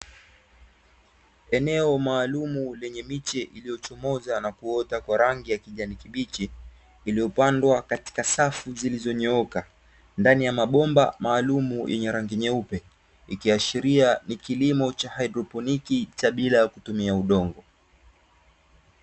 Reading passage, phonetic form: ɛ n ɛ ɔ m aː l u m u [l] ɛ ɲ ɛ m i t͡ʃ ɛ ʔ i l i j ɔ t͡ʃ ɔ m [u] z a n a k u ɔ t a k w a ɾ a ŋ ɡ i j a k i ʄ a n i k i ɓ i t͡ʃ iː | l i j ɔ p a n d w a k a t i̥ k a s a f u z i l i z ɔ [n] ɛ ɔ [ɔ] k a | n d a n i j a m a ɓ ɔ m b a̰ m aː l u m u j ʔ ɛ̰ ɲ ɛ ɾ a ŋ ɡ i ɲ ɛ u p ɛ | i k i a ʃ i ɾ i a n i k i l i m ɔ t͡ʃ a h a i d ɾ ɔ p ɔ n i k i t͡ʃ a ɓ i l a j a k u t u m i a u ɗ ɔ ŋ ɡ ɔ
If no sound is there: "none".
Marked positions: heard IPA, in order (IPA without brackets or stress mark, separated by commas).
l, ɔ, ɲ, ɔ